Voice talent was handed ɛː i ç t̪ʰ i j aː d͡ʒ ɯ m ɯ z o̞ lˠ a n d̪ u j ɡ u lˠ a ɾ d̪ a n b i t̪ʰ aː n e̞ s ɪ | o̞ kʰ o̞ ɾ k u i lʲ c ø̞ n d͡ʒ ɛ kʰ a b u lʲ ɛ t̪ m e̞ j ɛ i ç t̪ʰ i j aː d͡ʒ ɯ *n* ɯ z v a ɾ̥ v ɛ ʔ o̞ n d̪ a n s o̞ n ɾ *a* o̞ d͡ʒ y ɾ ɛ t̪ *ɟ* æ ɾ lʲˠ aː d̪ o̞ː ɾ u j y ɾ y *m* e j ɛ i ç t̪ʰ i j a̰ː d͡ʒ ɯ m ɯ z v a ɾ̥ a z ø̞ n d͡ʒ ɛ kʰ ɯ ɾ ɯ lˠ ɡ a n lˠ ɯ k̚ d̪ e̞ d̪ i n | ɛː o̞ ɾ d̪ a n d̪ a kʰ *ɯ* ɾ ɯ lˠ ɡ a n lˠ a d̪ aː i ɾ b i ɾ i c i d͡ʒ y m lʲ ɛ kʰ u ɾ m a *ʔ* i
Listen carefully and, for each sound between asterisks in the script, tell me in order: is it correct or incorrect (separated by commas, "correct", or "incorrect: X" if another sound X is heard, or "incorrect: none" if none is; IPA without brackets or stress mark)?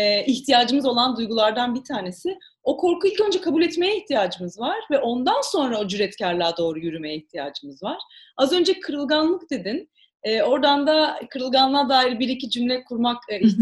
incorrect: m, correct, incorrect: c, correct, correct, incorrect: k